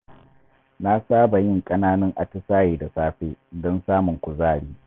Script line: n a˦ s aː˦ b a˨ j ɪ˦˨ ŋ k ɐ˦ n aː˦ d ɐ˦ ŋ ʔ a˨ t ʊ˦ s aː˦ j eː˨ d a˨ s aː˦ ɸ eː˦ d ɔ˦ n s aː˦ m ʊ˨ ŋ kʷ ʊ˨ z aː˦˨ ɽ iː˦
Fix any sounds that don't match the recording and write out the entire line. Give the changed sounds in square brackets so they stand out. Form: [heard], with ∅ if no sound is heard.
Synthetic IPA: n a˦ s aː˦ b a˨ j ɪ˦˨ ŋ [kʼ] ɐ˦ n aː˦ [n] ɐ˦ ŋ ʔ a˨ t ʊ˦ s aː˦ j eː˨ d a˨ s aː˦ ɸ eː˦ d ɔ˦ n s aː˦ m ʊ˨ ŋ kʷ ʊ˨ z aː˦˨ ɽ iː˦

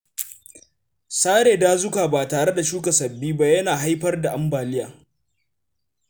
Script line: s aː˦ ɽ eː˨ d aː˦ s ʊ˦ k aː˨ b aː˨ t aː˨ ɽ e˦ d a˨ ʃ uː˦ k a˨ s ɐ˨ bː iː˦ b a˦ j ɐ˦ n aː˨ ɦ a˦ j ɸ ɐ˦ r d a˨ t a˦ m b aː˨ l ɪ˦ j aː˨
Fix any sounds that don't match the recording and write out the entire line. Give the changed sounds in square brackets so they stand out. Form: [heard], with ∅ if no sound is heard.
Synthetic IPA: s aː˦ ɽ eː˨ d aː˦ [z] ʊ˦ k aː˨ b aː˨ t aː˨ ɽ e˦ d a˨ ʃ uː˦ k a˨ s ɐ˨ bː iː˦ b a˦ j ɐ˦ n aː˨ ɦ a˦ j ɸ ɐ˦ r d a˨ [ʔ] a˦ m b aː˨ l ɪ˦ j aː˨

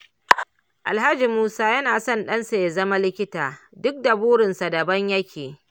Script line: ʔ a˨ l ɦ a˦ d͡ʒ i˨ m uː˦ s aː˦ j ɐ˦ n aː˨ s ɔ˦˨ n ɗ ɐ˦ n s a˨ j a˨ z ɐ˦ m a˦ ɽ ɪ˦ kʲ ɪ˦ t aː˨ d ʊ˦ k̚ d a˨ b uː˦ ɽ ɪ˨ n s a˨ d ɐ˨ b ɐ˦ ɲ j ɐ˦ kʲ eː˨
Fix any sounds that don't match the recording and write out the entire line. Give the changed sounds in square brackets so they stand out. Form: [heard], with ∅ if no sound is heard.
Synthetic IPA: ʔ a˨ l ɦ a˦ d͡ʒ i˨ m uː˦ s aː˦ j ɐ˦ n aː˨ s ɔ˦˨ n ɗ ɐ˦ n s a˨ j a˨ z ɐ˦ m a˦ [l] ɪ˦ kʲ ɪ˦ t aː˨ d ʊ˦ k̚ d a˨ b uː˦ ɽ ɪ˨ n s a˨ d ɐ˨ b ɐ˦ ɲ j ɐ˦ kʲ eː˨

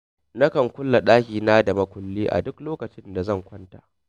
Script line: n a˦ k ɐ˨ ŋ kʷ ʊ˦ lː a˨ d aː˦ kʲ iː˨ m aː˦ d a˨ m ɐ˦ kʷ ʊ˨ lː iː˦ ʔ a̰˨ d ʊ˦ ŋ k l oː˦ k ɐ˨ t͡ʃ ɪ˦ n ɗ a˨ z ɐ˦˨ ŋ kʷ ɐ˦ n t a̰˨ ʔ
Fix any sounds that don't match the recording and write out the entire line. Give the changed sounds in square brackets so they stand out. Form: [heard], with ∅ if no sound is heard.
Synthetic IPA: n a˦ k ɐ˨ ŋ kʷ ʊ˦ lː a˨ [ɗ] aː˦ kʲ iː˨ [n] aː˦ d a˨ m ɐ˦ kʷ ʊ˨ lː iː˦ ʔ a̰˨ d ʊ˦ [∅] k l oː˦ k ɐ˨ t͡ʃ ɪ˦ n [d] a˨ z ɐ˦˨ ŋ kʷ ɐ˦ n t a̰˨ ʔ

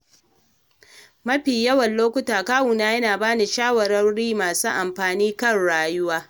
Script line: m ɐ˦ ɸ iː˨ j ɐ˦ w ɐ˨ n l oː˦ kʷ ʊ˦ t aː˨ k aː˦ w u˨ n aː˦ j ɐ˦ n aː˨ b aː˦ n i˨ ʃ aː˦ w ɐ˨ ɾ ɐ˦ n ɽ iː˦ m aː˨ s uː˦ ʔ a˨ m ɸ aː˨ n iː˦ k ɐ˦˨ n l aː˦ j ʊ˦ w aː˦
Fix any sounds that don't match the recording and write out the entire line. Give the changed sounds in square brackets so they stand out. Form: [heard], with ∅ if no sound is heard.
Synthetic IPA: m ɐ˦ ɸ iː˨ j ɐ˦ w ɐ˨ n l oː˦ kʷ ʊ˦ t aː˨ k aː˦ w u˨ n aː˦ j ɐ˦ n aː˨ b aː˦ n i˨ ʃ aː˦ w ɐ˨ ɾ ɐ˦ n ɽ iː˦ m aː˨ s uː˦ ʔ a˨ m ɸ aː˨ n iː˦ k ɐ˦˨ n [ɽ] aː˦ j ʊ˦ w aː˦

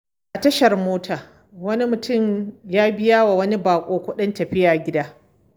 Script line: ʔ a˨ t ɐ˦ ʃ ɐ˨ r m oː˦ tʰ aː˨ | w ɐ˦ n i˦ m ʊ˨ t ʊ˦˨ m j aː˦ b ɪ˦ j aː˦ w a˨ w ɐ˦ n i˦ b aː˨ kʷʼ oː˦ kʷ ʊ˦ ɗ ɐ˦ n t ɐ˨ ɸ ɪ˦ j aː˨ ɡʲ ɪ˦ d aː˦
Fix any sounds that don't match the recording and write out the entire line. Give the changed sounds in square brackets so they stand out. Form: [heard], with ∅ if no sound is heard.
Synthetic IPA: ʔ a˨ t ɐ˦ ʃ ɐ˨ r m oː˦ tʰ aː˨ | w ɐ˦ n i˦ m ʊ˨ t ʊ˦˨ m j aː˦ b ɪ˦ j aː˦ w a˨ w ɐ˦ n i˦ b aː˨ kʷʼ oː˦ kʷ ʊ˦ ɗ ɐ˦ n t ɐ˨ ɸ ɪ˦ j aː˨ ɡʲ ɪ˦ d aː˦

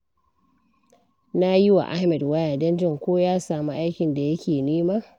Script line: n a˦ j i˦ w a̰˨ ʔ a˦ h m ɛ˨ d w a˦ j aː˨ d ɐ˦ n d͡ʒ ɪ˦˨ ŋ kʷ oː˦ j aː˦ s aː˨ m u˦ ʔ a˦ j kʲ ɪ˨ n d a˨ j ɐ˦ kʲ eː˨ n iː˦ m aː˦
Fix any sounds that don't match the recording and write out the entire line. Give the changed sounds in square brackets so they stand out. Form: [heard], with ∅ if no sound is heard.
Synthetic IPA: n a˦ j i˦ w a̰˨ ʔ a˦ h m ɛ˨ d w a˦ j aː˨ d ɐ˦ n d͡ʒ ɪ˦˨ ŋ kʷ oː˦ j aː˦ s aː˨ m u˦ ʔ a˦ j kʲ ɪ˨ n d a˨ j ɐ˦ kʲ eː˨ n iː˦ m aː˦

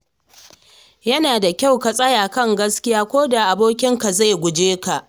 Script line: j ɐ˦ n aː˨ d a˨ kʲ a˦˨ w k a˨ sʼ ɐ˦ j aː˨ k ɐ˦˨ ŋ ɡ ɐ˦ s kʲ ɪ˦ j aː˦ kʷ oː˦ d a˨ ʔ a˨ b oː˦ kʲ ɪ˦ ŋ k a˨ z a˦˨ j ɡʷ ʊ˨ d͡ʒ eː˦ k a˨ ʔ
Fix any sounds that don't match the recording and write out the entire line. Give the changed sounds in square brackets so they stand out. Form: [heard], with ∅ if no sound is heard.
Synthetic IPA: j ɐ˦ n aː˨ d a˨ kʲ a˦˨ w k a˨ sʼ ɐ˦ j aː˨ k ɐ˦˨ ŋ ɡ ɐ˦ s kʲ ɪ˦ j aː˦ kʷ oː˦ d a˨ ʔ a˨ b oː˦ kʲ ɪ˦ ŋ k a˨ z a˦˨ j ɡʷ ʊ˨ d͡ʒ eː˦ k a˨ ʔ

